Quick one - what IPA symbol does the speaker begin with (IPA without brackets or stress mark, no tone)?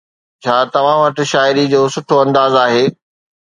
t͡ɕʰ